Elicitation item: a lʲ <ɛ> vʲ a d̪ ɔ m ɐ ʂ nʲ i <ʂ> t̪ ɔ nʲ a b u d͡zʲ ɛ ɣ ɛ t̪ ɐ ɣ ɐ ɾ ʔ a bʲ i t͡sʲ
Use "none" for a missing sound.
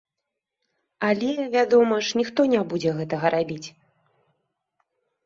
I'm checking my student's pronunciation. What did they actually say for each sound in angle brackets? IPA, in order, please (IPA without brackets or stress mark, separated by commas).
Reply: ɛ, x